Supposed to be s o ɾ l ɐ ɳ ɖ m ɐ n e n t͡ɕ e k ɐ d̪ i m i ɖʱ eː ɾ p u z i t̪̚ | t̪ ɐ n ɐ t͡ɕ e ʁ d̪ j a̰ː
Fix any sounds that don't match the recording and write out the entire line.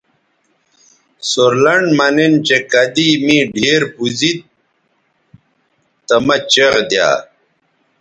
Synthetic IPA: s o ɾ l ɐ ɳ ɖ m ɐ n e n t͡ɕ e k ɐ d̪ i m i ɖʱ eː ɾ p u z i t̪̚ | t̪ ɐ m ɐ t͡ɕ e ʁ d̪ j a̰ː